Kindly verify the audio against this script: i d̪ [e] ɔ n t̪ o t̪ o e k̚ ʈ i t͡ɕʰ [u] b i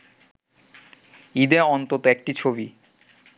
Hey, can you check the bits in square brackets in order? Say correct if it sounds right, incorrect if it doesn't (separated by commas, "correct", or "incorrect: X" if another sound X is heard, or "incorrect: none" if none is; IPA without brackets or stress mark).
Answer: correct, incorrect: o